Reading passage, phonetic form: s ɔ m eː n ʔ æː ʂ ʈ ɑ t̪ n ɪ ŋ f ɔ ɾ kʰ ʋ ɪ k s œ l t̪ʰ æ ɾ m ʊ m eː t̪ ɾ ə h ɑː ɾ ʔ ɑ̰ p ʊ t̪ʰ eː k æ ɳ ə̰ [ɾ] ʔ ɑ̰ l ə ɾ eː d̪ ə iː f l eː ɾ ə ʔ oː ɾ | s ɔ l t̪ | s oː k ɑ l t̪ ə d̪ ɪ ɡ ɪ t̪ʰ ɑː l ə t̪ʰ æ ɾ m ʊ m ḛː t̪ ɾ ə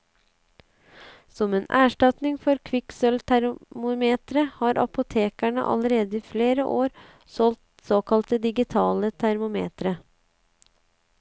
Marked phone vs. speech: incorrect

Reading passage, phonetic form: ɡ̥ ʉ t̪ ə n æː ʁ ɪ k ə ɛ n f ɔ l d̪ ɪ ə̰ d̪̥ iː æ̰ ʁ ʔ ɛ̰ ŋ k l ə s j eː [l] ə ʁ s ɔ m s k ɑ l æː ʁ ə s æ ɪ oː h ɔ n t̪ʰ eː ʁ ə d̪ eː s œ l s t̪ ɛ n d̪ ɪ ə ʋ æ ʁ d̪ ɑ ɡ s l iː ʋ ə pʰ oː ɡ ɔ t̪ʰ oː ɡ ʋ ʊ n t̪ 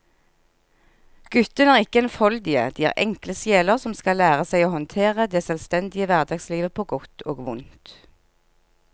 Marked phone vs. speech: correct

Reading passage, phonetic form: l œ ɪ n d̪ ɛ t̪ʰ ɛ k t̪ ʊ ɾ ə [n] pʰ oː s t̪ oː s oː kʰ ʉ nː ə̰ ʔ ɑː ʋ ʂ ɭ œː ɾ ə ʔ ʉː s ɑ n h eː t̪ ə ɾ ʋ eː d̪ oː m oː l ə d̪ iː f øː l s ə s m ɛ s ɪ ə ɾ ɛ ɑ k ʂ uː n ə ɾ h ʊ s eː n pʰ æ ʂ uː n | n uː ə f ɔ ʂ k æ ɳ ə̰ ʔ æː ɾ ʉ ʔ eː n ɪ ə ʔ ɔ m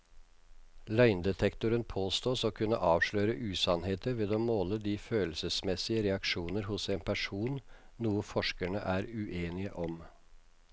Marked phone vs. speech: correct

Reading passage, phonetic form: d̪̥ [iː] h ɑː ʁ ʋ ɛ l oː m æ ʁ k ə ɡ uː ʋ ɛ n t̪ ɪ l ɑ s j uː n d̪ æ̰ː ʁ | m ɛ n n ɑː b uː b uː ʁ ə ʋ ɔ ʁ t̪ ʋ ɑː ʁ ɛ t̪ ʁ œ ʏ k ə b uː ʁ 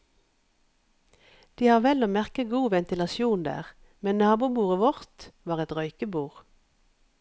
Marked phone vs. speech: correct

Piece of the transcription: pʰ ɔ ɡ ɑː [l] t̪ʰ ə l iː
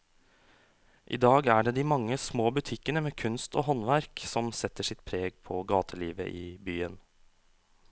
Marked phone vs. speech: incorrect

